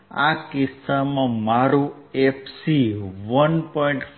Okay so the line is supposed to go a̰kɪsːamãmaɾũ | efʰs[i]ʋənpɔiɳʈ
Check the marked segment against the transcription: correct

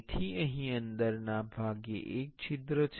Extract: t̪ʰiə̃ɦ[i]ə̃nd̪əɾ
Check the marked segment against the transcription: incorrect: ĩ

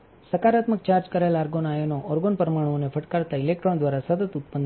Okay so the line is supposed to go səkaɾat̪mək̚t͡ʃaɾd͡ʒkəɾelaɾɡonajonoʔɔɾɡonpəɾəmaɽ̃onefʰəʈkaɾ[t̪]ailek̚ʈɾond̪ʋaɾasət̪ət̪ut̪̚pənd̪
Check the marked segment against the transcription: correct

